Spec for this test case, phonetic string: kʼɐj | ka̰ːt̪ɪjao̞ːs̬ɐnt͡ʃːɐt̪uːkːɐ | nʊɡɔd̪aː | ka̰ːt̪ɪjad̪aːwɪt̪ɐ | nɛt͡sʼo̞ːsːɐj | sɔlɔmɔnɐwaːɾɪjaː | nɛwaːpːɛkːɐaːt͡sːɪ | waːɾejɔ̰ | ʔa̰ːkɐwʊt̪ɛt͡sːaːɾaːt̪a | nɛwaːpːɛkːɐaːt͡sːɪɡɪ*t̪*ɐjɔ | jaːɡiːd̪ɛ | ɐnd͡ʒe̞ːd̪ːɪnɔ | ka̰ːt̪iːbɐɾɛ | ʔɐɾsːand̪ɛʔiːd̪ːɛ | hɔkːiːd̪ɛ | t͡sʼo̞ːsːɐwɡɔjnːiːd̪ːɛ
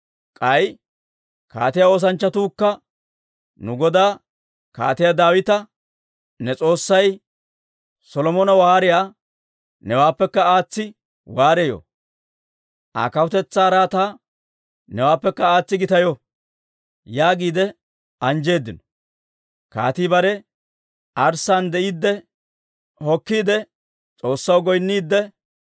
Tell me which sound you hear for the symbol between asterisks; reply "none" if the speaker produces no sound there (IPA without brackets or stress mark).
t̪